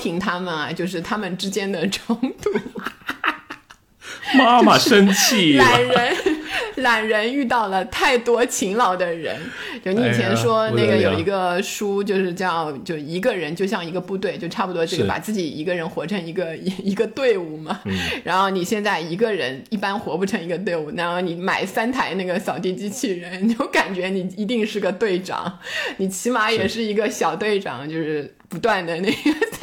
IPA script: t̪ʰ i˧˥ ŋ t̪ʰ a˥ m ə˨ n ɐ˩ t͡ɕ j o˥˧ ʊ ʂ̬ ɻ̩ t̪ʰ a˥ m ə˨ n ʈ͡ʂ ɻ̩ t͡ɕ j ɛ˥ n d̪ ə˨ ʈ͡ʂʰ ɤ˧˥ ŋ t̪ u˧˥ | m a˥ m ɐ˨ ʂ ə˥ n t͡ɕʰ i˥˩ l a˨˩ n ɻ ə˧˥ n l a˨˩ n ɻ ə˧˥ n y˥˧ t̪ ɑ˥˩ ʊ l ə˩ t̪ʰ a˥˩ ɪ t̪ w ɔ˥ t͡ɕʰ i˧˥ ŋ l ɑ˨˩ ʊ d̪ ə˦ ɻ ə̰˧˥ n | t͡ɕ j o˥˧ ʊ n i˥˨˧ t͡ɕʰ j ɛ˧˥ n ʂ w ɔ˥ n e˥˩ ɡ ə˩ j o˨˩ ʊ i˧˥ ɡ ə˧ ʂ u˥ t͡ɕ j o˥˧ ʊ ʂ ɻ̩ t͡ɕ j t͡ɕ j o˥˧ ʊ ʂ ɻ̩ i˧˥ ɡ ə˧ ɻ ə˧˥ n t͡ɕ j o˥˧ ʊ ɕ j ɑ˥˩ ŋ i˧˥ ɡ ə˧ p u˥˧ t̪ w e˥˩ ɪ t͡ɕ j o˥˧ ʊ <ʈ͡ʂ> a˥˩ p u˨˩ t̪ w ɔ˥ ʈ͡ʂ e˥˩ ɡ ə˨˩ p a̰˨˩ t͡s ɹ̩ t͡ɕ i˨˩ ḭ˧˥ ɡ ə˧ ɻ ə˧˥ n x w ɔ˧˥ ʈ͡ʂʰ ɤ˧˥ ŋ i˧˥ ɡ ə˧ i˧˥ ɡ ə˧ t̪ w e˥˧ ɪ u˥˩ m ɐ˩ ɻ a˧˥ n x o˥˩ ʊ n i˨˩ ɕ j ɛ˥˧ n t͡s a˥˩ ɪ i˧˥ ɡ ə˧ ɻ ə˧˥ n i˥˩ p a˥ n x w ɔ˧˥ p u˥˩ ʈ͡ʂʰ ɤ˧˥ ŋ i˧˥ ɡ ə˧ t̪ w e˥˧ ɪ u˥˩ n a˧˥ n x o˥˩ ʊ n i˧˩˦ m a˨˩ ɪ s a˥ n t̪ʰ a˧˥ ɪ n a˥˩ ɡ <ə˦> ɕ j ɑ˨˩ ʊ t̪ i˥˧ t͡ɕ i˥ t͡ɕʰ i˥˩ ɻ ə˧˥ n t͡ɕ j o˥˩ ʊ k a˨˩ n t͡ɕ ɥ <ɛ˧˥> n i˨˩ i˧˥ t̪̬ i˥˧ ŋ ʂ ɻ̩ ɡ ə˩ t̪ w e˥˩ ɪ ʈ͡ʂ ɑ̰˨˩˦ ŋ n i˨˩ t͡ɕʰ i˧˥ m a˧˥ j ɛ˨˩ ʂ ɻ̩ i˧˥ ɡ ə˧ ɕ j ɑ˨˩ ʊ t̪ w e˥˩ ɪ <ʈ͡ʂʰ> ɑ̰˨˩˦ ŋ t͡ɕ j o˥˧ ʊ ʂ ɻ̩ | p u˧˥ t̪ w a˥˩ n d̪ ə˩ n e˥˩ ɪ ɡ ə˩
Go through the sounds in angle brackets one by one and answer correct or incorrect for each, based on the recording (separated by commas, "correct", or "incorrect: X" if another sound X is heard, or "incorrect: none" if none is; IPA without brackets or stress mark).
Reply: incorrect: ʈ͡ʂʰ, incorrect: ə˩, correct, incorrect: ʈ͡ʂ